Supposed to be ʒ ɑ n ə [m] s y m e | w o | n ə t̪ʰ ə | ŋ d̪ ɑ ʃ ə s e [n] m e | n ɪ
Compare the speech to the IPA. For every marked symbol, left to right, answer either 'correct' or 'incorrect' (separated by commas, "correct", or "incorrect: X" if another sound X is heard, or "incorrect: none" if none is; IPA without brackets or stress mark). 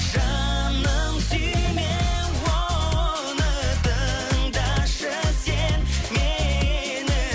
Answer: correct, correct